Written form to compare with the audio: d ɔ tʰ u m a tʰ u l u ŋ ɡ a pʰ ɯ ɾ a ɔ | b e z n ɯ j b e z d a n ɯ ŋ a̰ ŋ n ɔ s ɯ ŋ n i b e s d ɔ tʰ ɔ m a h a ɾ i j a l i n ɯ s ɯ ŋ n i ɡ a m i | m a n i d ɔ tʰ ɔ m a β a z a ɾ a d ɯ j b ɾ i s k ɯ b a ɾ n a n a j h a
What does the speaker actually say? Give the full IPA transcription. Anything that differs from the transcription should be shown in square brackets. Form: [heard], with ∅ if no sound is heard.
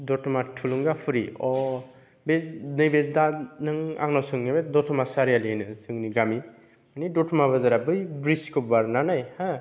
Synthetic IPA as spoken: d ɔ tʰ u m a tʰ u l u ŋ ɡ a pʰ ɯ ɾ [i] ɔ | b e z n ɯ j b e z d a n ɯ ŋ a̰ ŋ n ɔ s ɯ ŋ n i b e [∅] d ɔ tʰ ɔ m a [s] a ɾ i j a l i n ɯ s ɯ ŋ n i ɡ a m i | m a n i d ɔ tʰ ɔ m a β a z a ɾ a [b] ɯ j b ɾ i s k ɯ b a ɾ n a n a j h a